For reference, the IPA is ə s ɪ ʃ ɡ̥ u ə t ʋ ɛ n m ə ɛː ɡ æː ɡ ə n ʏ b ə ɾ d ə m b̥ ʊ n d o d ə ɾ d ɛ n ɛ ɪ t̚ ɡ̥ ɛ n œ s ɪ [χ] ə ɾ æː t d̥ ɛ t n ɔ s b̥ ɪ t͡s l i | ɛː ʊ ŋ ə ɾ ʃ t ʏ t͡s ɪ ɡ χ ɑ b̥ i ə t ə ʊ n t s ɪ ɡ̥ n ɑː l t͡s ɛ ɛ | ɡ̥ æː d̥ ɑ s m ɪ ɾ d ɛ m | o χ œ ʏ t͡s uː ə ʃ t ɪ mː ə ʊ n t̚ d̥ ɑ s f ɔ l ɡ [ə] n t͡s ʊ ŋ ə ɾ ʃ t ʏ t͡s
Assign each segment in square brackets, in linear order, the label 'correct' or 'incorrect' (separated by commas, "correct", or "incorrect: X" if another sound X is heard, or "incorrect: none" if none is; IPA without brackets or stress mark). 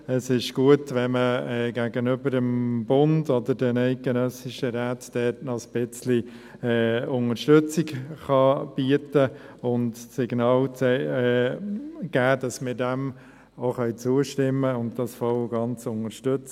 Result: incorrect: ʃ, incorrect: ɑ